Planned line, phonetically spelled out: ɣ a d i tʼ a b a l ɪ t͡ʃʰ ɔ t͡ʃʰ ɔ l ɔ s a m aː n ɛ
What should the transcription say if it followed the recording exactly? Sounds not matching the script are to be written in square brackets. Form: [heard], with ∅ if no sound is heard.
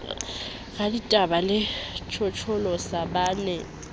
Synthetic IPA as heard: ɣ a d i tʼ a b a l ɪ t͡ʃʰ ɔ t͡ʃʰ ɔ l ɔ s a [b] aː n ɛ